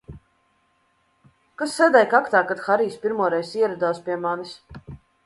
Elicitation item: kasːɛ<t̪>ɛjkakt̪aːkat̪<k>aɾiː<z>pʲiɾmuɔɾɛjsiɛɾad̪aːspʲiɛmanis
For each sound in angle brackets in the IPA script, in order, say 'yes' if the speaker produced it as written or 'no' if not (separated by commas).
no, no, no